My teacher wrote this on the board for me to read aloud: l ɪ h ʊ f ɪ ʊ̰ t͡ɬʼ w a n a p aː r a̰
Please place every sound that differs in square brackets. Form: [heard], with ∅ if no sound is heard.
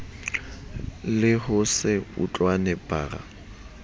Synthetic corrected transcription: l ɪ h ʊ [s] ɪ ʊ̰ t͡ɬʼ w a n [ɛ] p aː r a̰